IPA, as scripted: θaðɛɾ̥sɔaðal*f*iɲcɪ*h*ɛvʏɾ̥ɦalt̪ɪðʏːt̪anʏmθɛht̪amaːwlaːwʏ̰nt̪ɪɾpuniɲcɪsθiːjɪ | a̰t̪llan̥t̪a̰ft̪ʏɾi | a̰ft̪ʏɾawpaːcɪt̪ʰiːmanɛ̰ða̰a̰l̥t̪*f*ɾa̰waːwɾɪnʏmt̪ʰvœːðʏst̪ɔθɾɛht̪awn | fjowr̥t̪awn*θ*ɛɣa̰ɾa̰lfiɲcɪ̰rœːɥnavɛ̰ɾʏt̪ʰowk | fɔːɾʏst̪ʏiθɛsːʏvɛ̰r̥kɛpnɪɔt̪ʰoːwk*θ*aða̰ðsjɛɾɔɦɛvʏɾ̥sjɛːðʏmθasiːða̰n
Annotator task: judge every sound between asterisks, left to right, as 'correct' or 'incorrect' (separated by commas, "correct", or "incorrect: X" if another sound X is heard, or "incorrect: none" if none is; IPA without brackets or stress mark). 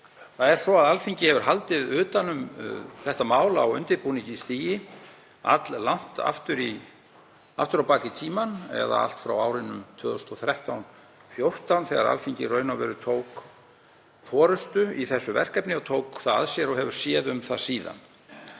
correct, correct, correct, correct, correct